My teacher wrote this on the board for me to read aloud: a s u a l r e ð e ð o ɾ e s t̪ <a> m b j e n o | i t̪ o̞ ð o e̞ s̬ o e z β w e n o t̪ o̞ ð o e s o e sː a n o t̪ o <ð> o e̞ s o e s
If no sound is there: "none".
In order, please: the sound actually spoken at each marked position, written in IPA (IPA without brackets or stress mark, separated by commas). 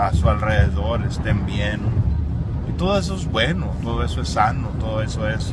e, ð